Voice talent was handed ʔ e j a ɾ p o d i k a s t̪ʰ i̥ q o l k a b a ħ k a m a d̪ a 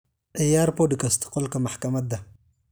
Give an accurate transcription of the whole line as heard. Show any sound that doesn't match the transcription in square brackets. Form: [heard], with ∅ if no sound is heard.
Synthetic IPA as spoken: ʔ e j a ɾ p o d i k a s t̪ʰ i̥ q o l k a [m] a ħ k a m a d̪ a